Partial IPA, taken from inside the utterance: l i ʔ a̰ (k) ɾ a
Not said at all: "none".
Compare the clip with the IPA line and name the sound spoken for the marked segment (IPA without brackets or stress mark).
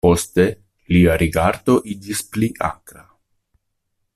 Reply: k